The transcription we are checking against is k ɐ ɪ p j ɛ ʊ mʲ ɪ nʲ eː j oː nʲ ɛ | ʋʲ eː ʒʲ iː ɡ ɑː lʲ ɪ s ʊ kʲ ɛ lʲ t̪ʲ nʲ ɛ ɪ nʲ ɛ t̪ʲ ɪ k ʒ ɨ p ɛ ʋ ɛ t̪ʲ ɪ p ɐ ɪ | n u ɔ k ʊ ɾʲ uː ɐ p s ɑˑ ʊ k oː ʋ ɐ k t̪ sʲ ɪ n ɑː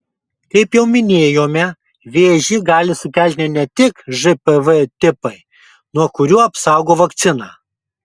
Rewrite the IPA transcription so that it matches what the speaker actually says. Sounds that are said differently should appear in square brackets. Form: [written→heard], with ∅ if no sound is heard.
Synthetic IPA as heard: k ɐ ɪ p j ɛ ʊ mʲ ɪ nʲ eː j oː [nʲ→mʲ] ɛ | ʋʲ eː ʒʲ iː ɡ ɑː lʲ ɪ s ʊ kʲ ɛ lʲ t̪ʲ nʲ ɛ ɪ nʲ ɛ t̪ʲ ɪ k ʒ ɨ p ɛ ʋ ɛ t̪ʲ ɪ p ɐ ɪ | n u ɔ k ʊ ɾʲ uː ɐ p s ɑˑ ʊ [k→ɡ] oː ʋ ɐ k t̪ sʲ ɪ n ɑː

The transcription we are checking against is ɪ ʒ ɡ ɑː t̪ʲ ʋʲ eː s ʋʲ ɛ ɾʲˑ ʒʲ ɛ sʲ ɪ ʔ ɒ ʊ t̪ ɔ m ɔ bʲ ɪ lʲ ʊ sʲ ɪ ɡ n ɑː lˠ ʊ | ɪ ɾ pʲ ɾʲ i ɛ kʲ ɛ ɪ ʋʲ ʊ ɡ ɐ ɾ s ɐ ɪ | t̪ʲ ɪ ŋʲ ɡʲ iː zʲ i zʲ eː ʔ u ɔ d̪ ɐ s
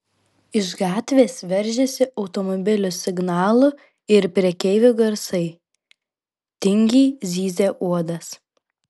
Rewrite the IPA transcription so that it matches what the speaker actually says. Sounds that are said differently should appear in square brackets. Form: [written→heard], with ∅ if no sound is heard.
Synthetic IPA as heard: ɪ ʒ ɡ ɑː t̪ʲ ʋʲ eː s ʋʲ ɛ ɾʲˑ ʒʲ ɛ sʲ ɪ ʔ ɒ ʊ t̪ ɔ m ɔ bʲ ɪ lʲ ʊ sʲ ɪ ɡ n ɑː lˠ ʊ | ɪ ɾ pʲ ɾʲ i ɛ kʲ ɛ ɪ ʋʲ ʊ ɡ ɐ ɾ s ɐ ɪ | t̪ʲ ɪ ŋʲ ɡʲ iː zʲ [i→iː] zʲ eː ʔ u ɔ d̪ ɐ s

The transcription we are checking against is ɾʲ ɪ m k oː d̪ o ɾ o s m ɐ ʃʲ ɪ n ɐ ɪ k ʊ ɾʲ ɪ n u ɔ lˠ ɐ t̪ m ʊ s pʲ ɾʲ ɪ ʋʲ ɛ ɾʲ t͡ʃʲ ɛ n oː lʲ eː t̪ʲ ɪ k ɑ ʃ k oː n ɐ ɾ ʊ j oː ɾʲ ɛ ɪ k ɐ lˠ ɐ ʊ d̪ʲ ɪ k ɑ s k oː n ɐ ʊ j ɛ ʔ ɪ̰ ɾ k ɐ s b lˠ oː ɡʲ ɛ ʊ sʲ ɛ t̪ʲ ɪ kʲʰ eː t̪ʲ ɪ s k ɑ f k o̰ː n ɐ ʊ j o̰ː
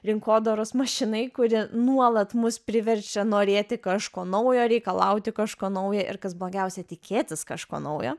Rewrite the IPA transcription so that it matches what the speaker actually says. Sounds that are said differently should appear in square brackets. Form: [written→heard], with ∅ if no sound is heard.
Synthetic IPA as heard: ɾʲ ɪ [m→ŋ] k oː d̪ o ɾ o s m ɐ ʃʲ ɪ n ɐ ɪ k ʊ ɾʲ ɪ n u ɔ lˠ ɐ t̪ m ʊ s pʲ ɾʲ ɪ ʋʲ ɛ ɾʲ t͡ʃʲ ɛ n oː [lʲ→ɾʲ] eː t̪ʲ ɪ k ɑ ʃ k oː n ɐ [ɾ→∅] ʊ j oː ɾʲ ɛ ɪ k ɐ lˠ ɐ ʊ [d̪ʲ→t̪ʲ] ɪ k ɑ [s→ʃ] k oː n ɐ ʊ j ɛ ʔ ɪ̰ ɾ k ɐ s b lˠ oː ɡʲ ɛ ʊ sʲ ɛ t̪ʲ ɪ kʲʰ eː t̪ʲ ɪ s k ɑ [f→ʃ] k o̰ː n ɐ ʊ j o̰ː

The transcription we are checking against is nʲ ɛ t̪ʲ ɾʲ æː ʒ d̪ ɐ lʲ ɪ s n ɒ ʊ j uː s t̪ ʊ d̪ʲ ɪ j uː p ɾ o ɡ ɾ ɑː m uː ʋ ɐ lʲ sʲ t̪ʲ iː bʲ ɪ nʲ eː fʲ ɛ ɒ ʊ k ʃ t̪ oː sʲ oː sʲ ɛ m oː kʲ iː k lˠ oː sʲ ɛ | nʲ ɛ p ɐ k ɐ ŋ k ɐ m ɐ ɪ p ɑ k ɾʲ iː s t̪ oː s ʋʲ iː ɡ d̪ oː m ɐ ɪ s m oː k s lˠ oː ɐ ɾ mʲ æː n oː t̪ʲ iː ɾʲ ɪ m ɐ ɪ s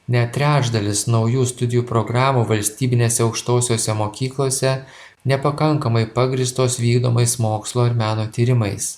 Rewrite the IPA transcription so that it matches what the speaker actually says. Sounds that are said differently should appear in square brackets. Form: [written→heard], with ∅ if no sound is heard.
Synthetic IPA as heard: nʲ ɛ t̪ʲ ɾʲ æː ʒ d̪ ɐ lʲ ɪ s n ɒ ʊ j uː s t̪ ʊ d̪ʲ ɪ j uː p ɾ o ɡ ɾ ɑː m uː ʋ ɐ lʲ sʲ t̪ʲ iː bʲ ɪ nʲ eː [fʲ→sʲ] ɛ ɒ ʊ k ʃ t̪ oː sʲ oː sʲ ɛ m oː kʲ iː k lˠ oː sʲ ɛ | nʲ ɛ p ɐ k ɐ ŋ k ɐ m ɐ ɪ p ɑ [k→ɡ] ɾʲ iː s t̪ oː s ʋʲ iː ɡ d̪ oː m ɐ ɪ s m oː k s lˠ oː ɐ ɾ mʲ æː n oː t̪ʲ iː ɾʲ ɪ m ɐ ɪ s

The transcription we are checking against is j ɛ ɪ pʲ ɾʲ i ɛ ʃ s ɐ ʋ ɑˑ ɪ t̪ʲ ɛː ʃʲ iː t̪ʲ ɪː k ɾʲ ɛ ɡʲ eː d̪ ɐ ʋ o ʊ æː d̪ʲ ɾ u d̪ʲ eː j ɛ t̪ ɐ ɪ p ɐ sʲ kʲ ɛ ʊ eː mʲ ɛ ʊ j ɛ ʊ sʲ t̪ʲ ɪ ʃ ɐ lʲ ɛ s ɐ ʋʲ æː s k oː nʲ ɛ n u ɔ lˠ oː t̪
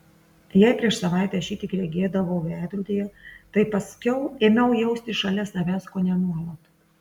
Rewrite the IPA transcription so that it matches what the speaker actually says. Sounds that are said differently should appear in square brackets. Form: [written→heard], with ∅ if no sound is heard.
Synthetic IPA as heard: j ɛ ɪ pʲ ɾʲ i ɛ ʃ s ɐ ʋ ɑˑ ɪ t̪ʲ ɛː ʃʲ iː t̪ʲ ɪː k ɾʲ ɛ ɡʲ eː d̪ ɐ ʋ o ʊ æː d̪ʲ ɾ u d̪ʲ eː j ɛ t̪ ɐ ɪ p ɐ sʲ kʲ ɛ ʊ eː mʲ ɛ ʊ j ɛ ʊ sʲ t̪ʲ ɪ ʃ ɐ lʲ ɛ s ɐ ʋʲ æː s k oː nʲ ɛ n u ɔ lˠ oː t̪

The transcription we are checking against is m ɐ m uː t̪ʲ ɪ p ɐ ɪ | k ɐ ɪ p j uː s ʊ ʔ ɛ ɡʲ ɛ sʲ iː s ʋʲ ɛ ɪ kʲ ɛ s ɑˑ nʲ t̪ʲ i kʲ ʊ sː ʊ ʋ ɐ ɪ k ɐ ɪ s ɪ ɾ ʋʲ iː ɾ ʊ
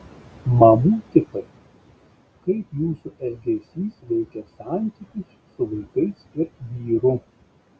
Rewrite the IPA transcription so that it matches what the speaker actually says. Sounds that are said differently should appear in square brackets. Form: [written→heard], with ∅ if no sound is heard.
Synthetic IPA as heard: m ɐ m uː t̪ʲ ɪ p ɐ ɪ | k ɐ ɪ p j uː s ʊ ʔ ɛ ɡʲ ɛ sʲ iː s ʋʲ ɛ ɪ kʲ ɛ s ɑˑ nʲ t̪ʲ i kʲ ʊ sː ʊ ʋ ɐ ɪ k ɐ ɪ s ɪ ɾ ʋʲ iː ɾ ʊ

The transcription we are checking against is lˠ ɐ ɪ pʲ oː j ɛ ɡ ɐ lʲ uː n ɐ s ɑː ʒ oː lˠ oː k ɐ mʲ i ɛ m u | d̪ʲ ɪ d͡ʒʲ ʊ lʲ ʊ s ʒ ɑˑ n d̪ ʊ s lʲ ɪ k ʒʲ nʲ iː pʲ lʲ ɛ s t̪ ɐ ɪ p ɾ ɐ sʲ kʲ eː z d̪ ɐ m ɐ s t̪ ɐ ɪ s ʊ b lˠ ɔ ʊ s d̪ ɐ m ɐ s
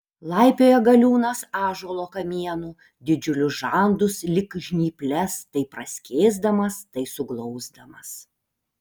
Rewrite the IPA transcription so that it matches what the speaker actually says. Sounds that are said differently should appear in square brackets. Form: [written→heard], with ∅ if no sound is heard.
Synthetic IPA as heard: lˠ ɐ ɪ pʲ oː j ɛ ɡ ɐ lʲ uː n ɐ s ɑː ʒ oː lˠ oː k ɐ mʲ i ɛ [m→n] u | d̪ʲ ɪ d͡ʒʲ ʊ lʲ ʊ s ʒ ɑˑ n d̪ ʊ s lʲ ɪ k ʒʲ nʲ iː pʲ lʲ ɛ s t̪ ɐ ɪ p ɾ ɐ sʲ kʲ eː z d̪ ɐ m ɐ s t̪ ɐ ɪ s ʊ [b→ɡ] lˠ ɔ ʊ [s→z] d̪ ɐ m ɐ s

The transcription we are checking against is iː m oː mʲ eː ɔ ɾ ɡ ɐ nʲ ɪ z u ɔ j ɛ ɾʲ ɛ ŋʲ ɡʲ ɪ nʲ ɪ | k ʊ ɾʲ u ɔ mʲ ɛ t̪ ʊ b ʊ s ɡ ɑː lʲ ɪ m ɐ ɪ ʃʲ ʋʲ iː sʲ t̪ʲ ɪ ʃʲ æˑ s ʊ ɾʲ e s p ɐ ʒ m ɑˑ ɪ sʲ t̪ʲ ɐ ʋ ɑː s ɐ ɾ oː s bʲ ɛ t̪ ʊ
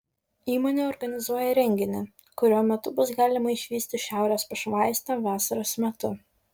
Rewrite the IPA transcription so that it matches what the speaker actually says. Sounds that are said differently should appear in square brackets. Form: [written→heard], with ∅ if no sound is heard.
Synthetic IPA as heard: iː m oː [mʲ→nʲ] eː ɔ ɾ ɡ ɐ nʲ ɪ z u ɔ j ɛ ɾʲ ɛ ŋʲ ɡʲ ɪ nʲ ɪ | k ʊ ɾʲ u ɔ mʲ ɛ t̪ ʊ b ʊ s ɡ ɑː lʲ ɪ m ɐ ɪ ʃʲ ʋʲ iː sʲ t̪ʲ ɪ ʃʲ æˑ [s→∅] ʊ ɾʲ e s p ɐ [ʒ→ʃ] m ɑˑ ɪ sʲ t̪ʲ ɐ ʋ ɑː s ɐ ɾ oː s [bʲ→mʲ] ɛ t̪ ʊ

